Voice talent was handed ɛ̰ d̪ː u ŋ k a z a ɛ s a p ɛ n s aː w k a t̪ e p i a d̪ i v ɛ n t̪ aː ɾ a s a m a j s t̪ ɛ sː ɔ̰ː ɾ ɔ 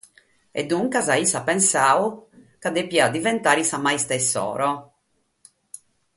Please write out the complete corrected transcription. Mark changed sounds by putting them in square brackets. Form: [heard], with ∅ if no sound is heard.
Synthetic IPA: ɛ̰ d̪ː u ŋ k a z a [i] s a p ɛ n s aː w k a [d̪] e p i a d̪ i v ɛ n t̪ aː ɾ [i] s a m a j s t̪ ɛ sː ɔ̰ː ɾ ɔ